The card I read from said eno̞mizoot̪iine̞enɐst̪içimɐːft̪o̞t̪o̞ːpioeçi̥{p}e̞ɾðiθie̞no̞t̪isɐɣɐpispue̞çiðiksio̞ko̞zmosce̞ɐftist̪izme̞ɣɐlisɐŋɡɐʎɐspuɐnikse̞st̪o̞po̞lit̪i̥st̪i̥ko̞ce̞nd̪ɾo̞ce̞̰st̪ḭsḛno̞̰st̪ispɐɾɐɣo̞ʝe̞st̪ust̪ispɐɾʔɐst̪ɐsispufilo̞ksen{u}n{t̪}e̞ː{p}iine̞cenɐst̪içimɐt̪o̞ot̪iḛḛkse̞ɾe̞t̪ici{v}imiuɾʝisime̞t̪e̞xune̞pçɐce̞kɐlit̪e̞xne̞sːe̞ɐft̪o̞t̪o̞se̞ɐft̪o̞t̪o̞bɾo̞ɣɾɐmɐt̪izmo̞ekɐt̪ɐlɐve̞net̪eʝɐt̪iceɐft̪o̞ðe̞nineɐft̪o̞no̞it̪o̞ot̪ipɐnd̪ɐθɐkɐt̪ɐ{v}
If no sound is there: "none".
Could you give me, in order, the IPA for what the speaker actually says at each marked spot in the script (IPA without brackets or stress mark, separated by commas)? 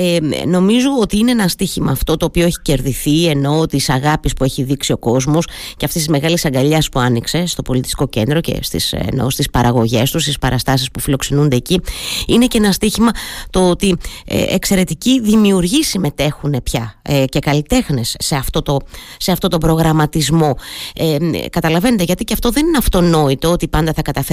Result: c, u, d̪, c, ð, f